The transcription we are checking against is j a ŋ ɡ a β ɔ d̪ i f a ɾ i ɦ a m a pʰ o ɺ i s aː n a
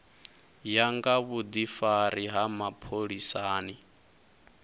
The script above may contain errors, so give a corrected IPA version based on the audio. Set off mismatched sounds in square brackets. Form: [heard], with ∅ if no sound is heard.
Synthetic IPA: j a ŋ ɡ a β [u] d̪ i f a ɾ i ɦ a m a pʰ o ɺ i s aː n [i]